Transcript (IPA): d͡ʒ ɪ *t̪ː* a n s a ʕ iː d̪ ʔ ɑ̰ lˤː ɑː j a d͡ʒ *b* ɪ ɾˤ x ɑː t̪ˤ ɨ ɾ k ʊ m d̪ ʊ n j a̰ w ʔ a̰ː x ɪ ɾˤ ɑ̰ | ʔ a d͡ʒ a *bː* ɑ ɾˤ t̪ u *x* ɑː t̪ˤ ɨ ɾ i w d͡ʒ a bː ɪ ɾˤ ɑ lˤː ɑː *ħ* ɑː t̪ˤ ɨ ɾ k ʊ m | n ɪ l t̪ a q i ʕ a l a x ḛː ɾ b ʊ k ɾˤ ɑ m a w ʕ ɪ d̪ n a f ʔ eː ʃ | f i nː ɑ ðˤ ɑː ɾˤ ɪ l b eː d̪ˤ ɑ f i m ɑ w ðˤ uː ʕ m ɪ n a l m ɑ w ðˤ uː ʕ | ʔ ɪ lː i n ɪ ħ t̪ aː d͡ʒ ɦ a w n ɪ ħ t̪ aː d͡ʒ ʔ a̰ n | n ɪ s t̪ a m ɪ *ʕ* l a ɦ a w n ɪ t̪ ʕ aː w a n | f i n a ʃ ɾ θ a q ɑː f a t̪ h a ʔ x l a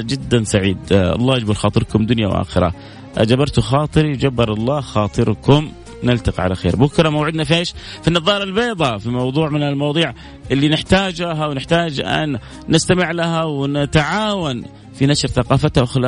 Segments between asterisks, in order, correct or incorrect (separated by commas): incorrect, correct, incorrect, correct, incorrect, correct